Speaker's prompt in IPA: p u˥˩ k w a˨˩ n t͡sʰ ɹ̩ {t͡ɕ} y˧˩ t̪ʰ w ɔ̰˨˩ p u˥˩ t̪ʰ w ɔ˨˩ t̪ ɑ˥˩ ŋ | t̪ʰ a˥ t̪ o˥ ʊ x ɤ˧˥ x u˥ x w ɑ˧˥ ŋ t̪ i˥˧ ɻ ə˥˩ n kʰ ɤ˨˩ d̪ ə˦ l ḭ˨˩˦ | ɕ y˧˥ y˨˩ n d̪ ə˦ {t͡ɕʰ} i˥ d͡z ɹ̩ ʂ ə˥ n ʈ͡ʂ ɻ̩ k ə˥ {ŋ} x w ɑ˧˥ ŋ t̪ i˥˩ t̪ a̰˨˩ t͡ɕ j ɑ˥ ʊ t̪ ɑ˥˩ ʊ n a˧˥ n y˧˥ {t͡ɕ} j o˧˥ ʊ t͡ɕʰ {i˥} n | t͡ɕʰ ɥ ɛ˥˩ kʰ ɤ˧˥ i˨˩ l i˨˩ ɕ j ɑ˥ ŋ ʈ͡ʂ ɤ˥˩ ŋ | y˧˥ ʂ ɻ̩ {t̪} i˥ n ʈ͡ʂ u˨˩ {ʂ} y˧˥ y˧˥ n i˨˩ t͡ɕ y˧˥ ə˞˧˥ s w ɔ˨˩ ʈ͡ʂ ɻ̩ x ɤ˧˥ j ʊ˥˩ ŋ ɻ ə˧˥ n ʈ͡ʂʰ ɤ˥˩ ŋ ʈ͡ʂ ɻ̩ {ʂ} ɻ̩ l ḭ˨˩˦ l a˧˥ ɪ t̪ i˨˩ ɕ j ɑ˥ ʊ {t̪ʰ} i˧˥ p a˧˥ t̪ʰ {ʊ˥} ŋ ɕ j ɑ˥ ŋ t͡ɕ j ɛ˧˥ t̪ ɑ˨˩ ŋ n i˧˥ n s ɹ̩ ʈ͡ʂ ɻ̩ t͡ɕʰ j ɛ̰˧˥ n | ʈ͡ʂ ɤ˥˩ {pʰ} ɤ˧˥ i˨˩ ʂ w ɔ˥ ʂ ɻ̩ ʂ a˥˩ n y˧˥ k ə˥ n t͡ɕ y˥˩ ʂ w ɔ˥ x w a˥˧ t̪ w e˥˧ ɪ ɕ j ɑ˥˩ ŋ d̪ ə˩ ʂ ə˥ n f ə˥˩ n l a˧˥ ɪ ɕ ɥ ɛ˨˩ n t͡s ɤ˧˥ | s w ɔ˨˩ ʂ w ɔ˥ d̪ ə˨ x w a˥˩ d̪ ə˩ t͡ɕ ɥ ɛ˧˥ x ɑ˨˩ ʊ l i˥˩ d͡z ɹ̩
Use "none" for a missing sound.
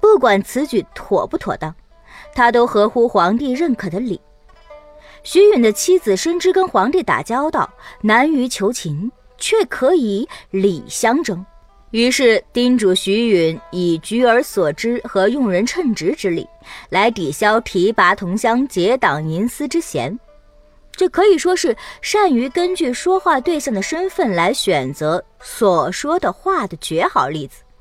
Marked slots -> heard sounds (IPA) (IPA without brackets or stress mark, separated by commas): t͡ɕ, t͡ɕʰ, n, t͡ɕʰ, i˧˥, t̪, ɕ, ʈ͡ʂ, t̪ʰ, ʊ˧˥, kʰ